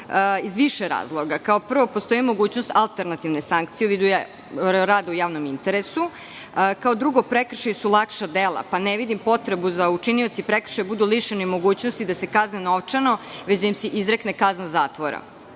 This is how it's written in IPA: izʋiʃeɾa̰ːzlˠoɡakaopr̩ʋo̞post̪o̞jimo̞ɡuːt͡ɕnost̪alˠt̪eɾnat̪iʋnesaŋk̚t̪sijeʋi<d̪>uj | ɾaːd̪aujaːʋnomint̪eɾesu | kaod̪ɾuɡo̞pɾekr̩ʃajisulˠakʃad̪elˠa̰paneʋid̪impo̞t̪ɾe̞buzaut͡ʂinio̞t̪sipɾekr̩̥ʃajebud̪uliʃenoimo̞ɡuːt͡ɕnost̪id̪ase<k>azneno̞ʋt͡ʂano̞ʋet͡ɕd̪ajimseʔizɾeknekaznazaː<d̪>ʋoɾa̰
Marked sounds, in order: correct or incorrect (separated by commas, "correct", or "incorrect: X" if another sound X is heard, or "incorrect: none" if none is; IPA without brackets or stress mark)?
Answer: correct, correct, incorrect: t̪